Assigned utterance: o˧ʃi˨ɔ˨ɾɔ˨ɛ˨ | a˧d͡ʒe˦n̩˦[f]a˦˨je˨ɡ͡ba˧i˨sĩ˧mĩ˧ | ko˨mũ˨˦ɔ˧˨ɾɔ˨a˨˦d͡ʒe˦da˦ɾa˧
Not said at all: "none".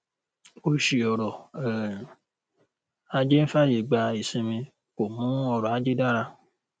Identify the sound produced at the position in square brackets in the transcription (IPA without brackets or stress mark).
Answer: f